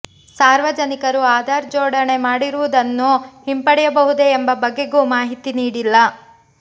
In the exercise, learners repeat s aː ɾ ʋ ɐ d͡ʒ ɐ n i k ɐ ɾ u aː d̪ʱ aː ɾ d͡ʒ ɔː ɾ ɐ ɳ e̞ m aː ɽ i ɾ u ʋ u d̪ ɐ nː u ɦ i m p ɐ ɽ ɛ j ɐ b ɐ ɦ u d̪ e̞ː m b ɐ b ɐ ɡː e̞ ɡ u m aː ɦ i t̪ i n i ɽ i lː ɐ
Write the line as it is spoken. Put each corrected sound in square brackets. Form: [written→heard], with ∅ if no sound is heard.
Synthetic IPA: s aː ɾ ʋ ɐ d͡ʒ ɐ n i k ɐ ɾ u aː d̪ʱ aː ɾ d͡ʒ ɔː [ɾ→ɽ] ɐ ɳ e̞ m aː ɽ i ɾ u ʋ u d̪ ɐ nː u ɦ i m p ɐ ɽ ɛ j ɐ b ɐ ɦ u d̪ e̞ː m b ɐ b ɐ ɡː e̞ ɡ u m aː ɦ i t̪ i n [i→iː] ɽ i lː ɐ